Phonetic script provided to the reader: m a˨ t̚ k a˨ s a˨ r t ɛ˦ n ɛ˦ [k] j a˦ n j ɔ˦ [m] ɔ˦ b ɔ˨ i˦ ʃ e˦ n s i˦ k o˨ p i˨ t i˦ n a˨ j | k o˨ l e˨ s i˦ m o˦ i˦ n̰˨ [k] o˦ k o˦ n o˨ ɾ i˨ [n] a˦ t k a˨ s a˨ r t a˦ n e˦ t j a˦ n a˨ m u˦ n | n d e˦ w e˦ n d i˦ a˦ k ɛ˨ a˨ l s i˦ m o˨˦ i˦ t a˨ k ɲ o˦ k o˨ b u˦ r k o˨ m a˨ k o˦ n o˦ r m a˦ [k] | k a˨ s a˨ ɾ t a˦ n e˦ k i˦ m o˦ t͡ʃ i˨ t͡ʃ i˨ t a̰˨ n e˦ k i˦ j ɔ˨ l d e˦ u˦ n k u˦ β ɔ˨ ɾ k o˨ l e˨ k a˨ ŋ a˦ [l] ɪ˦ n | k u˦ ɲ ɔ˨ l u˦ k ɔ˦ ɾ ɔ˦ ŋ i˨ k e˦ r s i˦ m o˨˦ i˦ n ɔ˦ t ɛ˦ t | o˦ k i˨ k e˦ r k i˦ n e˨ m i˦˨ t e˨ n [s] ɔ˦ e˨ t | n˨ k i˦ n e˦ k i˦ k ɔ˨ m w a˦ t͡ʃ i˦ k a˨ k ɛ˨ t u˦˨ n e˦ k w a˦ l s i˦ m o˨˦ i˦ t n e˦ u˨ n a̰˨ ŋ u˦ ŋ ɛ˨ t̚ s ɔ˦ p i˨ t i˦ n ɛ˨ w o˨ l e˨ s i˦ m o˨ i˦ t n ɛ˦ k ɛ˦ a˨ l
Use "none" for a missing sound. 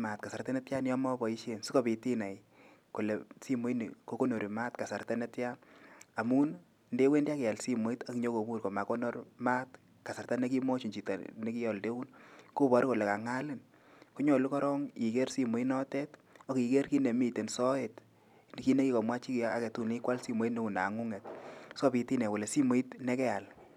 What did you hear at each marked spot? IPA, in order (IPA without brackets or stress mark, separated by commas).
t, m, k, m, t, l, s